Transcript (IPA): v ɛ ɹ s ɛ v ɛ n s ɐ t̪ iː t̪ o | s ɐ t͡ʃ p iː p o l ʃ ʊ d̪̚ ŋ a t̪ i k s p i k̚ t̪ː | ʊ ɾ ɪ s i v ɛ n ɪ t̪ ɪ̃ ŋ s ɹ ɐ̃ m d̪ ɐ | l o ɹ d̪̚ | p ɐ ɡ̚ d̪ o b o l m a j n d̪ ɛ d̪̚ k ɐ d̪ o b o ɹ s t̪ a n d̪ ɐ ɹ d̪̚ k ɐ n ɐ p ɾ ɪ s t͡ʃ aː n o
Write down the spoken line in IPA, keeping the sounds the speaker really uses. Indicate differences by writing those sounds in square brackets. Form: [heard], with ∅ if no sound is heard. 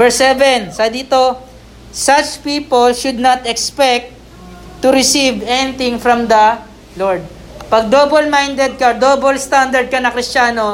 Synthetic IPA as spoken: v ɛ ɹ s ɛ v ɛ n s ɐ [d̪] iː t̪ o | s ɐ t͡ʃ p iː p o l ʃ ʊ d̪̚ [n] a t̪ [ɛ] k s p [ɛ] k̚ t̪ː | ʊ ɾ ɪ s i v ɛ n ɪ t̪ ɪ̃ ŋ [f] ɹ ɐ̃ m d̪ ɐ | l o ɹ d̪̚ | p ɐ ɡ̚ d̪ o b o l m a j n d̪ ɛ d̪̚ k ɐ d̪ o b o [l] s t̪ a n d̪ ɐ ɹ d̪̚ k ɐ n ɐ [k] ɾ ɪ s t͡ʃ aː n o